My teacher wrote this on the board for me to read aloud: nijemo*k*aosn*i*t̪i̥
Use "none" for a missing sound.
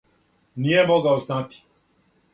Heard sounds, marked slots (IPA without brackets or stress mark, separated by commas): ɡ, a